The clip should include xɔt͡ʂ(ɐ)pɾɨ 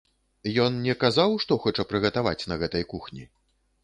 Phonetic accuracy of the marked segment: correct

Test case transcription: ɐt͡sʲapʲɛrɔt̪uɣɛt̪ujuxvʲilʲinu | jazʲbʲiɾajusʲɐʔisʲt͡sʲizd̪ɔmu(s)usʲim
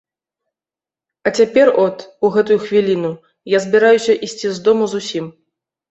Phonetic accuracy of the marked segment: incorrect: z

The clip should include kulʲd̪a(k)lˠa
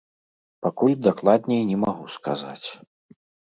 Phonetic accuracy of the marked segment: correct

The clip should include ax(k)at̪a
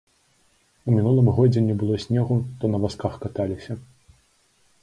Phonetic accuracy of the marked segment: correct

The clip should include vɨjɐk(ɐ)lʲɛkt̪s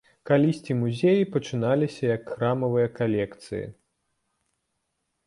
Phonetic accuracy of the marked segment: incorrect: a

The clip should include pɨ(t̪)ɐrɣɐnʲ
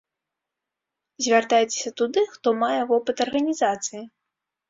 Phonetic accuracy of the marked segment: correct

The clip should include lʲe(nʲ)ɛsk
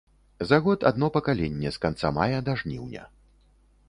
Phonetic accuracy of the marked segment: incorrect: nʲː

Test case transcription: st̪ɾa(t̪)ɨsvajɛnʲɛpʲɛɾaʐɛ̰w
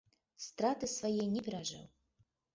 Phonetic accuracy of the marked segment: correct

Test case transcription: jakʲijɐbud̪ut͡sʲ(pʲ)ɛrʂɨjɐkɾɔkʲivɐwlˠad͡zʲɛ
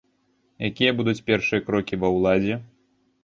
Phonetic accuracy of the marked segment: correct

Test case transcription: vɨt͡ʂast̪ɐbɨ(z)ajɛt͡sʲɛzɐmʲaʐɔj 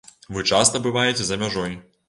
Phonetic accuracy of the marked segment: incorrect: v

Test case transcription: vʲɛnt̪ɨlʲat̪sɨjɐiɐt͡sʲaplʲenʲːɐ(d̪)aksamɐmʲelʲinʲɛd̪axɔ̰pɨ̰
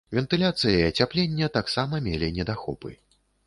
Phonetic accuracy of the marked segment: incorrect: t̪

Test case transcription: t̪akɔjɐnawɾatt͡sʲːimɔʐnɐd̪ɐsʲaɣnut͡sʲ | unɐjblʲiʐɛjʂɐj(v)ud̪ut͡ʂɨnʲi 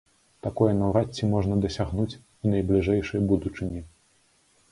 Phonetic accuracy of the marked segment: incorrect: b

